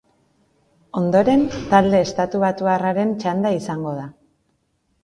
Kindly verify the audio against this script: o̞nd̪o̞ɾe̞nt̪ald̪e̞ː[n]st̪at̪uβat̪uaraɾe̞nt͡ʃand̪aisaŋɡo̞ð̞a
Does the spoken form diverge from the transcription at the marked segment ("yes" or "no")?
yes